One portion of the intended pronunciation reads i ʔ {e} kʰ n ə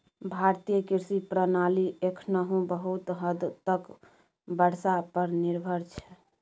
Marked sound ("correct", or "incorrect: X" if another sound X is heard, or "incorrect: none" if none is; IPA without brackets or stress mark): correct